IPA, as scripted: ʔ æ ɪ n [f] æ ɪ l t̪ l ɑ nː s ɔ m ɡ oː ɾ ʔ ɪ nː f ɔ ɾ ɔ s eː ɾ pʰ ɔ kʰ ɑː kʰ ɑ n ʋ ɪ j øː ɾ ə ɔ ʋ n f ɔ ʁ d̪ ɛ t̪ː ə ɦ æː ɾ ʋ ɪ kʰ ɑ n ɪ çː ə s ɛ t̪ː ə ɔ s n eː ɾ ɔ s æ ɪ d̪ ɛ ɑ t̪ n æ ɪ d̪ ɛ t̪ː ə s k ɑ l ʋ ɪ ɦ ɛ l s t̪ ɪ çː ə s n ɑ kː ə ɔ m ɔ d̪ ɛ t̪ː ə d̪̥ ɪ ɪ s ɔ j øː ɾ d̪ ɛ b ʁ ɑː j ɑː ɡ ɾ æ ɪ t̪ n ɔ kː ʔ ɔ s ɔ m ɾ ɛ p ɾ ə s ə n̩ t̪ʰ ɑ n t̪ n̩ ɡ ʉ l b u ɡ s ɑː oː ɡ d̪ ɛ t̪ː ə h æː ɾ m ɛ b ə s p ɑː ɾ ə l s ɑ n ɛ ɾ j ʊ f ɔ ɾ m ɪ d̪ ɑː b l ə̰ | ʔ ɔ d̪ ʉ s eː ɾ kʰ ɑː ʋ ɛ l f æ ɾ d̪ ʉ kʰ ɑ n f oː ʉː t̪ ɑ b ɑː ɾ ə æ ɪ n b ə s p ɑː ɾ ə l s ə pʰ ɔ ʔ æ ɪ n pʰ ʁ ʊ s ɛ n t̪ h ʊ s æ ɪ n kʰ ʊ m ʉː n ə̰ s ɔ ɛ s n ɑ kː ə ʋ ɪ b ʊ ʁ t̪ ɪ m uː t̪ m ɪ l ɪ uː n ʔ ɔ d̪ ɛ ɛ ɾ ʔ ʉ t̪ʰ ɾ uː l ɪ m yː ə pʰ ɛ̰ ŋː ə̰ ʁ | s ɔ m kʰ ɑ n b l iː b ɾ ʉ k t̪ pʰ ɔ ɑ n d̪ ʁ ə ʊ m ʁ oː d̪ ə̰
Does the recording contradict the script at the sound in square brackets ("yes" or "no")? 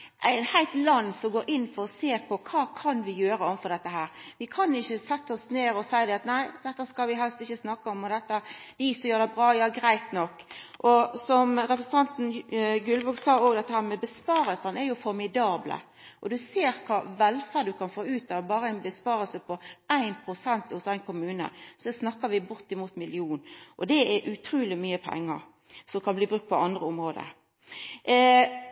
yes